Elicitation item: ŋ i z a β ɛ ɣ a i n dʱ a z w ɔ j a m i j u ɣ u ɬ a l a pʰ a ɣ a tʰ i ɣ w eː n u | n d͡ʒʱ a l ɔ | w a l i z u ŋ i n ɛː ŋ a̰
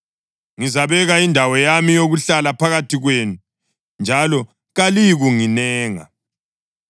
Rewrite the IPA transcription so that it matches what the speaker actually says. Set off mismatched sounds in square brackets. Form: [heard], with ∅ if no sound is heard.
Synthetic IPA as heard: ŋ i z a β ɛ ɣ a i n dʱ a [∅] w ɔ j a m i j [o] ɣ u ɬ a l a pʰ a ɣ a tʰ i ɣ w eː n u | n d͡ʒʱ a l ɔ | [ɣ] a l i [ɣ] u ŋ i n ɛː ŋ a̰